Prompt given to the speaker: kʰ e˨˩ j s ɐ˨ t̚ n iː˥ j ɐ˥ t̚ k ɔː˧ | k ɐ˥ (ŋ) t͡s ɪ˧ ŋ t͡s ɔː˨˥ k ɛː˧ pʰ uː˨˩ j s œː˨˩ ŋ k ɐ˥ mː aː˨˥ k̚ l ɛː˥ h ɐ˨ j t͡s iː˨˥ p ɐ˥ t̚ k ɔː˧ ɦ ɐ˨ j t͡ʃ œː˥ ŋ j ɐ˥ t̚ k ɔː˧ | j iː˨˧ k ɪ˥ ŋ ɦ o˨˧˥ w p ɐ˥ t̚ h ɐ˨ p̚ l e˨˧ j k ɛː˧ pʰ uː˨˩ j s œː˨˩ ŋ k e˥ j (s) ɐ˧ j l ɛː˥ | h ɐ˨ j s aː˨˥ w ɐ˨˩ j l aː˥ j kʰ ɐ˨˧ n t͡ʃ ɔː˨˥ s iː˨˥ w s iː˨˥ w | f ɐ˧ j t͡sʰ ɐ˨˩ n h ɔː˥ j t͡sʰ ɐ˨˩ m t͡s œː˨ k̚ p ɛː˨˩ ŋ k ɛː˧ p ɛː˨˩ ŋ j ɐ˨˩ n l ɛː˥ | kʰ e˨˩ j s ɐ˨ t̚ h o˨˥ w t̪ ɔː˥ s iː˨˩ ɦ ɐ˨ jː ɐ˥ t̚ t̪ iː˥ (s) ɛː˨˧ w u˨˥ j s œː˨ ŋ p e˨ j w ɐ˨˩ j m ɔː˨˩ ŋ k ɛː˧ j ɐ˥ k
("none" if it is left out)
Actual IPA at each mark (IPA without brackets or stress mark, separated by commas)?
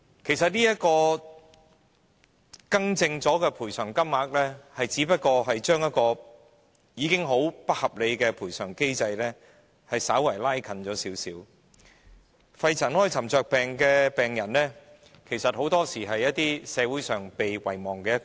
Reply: ŋ, t͡s, s